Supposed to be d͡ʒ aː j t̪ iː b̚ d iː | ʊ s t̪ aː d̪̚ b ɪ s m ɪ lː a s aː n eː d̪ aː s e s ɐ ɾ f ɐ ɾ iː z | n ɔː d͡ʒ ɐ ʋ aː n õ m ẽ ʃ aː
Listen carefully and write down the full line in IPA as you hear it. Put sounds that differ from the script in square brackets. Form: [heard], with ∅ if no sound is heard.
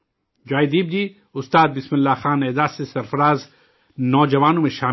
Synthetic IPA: d͡ʒ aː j [d̪] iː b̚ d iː | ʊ s t̪ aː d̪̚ b ɪ s m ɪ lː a [x] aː n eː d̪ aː s e s ɐ ɾ f ɐ ɾ [aː] z | n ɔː d͡ʒ ɐ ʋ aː n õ m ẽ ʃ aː

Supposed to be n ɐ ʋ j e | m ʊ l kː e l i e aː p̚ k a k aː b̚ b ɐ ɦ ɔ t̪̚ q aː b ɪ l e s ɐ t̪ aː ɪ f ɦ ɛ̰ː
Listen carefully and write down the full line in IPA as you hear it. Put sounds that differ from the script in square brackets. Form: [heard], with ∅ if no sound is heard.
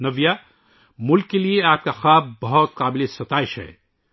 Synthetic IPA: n ɐ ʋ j [a] | m ʊ l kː e l i e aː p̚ k a [x] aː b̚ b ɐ ɦ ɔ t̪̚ q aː b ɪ l e s ɐ t̪ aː ɪ [ʃ] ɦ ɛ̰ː

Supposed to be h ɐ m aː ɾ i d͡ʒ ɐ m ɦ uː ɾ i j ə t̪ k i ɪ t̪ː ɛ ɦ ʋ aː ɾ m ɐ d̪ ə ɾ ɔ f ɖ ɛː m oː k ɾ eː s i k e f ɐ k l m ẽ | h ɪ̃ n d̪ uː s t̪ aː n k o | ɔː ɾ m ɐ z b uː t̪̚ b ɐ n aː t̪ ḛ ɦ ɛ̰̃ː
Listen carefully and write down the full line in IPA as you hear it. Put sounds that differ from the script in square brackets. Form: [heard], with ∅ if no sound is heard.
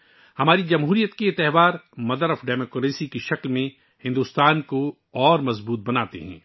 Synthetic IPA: h ɐ m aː ɾ i d͡ʒ ɐ m ɦ uː ɾ i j ə t̪ k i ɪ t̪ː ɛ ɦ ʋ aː ɾ m ɐ d̪ ə ɾ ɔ f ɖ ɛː m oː k ɾ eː s i k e [ʃ] ɐ k l m ẽ | h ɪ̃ n d̪ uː s t̪ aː n k o | ɔː ɾ m ɐ z b uː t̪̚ b ɐ n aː t̪ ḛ ɦ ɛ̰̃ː

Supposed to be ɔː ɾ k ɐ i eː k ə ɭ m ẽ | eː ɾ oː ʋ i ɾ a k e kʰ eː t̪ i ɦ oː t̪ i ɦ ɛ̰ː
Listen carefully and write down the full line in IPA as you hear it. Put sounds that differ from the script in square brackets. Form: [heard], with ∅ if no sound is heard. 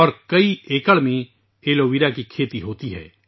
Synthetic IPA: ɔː ɾ k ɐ i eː k ə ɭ m ẽ | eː [l] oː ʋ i ɾ a k [i] kʰ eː t̪ i ɦ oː t̪ i ɦ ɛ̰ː

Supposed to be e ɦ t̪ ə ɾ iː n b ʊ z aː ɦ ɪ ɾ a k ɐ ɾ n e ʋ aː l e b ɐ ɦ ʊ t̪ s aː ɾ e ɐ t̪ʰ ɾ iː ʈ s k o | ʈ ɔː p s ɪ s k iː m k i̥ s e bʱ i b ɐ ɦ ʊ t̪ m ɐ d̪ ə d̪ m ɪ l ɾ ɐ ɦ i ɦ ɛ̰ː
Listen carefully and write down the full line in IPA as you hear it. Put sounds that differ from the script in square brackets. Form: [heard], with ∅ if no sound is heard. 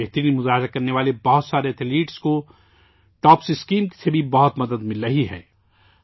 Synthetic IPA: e ɦ t̪ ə ɾ iː n [m] ʊ z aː ɦ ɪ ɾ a k ɐ ɾ n e ʋ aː l e b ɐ ɦ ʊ t̪ s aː ɾ e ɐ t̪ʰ [l] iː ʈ s k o | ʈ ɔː p s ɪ s k iː m k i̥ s e bʱ i b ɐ ɦ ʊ t̪ m ɐ d̪ ə d̪ m ɪ l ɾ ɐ ɦ i ɦ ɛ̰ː

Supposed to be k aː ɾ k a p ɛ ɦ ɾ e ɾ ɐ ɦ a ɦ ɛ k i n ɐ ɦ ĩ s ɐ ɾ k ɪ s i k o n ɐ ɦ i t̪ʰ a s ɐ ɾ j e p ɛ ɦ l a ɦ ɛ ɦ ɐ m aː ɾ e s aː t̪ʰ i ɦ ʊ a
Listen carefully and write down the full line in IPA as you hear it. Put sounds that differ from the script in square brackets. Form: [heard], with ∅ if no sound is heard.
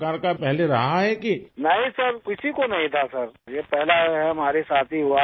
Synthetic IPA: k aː ɾ k a p ɛ ɦ [l] e ɾ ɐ ɦ a ɦ ɛ k i n ɐ ɦ ĩ s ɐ ɾ k ɪ s i k o n ɐ ɦ [ĩ] t̪ʰ a s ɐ ɾ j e p ɛ ɦ l a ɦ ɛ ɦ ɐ m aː ɾ e s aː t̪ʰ i ɦ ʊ a

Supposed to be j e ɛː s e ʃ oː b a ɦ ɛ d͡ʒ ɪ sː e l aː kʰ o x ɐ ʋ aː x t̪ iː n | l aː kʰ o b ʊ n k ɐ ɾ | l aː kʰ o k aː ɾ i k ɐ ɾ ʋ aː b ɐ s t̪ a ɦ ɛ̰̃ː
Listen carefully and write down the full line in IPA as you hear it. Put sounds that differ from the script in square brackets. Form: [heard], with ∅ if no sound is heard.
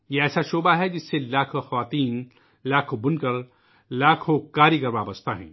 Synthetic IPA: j e ɛː s [a] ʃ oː b a ɦ ɛ d͡ʒ ɪ sː e l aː kʰ o x ɐ ʋ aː [∅] t̪ iː n | l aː kʰ o b ʊ n k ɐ ɾ | l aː kʰ o k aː ɾ i k ɐ ɾ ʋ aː b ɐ s t̪ a ɦ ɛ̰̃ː

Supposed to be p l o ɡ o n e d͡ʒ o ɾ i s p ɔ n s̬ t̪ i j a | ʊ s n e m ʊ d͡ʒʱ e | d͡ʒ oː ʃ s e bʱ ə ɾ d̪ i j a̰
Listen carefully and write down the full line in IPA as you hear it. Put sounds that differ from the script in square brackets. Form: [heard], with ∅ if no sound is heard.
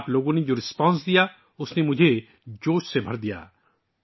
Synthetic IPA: p l o ɡ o n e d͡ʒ o ɾ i s p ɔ n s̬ [d̪] i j a | ʊ s n e m ʊ d͡ʒʱ e | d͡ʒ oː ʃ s e bʱ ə ɾ d̪ i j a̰

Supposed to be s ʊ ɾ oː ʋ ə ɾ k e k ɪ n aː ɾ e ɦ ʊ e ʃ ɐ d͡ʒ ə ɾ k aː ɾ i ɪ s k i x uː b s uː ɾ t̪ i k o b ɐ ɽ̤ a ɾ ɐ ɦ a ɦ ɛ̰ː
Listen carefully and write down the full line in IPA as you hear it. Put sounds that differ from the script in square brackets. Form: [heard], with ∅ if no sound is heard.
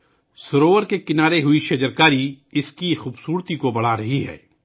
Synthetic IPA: s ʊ ɾ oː ʋ ə ɾ k e k ɪ n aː ɾ e ɦ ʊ [i] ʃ ɐ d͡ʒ ə ɾ k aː ɾ i ɪ s k i x uː b s uː ɾ t̪ i k o b ɐ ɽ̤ a ɾ ɐ ɦ [i] ɦ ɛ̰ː

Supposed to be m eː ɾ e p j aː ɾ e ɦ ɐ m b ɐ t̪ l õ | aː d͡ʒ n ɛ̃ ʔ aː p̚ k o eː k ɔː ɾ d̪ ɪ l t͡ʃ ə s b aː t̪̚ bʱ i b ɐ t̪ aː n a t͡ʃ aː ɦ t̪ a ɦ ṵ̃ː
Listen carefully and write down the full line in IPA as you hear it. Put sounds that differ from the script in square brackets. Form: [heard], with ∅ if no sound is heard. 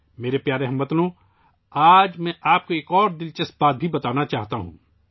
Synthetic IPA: m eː ɾ e p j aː ɾ e ɦ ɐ m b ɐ t̪ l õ | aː d͡ʒ [m] ɛ̃ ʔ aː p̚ k o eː k ɔː ɾ d̪ ɪ l t͡ʃ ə s b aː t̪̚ bʱ i b ɐ t̪ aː n a t͡ʃ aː ɦ t̪ a ɦ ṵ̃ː

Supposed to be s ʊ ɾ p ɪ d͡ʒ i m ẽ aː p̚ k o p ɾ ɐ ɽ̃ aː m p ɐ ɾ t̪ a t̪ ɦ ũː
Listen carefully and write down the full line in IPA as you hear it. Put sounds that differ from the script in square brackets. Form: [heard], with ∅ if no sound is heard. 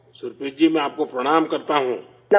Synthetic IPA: s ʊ ɾ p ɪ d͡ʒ i m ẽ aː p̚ k o p ɾ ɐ ɽ̃ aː m [k] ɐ ɾ t̪ a [∅] ɦ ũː

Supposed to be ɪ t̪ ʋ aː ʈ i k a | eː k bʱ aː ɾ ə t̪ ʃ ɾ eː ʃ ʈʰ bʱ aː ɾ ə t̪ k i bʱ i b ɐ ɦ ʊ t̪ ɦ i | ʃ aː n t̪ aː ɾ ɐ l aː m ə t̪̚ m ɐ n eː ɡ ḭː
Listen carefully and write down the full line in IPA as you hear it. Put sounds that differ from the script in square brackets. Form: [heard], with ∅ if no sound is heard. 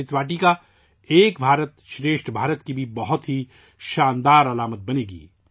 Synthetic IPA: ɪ t̪ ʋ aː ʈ i k a | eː k bʱ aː ɾ ə t̪ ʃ ɾ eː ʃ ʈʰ bʱ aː ɾ ə t̪ k i bʱ i b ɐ ɦ ʊ t̪ ɦ i | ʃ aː n [d̪] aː ɾ ɐ l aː m ə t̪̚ [b] ɐ n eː ɡ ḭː

